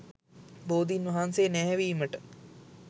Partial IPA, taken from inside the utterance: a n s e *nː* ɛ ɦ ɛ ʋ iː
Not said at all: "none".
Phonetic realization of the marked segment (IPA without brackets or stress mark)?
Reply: n